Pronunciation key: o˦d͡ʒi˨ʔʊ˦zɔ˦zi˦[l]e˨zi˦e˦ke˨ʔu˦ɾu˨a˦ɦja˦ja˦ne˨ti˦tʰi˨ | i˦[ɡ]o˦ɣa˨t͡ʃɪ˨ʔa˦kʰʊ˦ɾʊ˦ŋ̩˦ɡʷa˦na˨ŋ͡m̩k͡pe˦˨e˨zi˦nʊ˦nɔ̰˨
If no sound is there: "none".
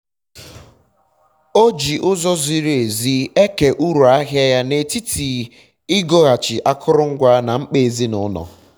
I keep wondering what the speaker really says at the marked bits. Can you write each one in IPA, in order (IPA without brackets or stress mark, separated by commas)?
ɾ, ɡ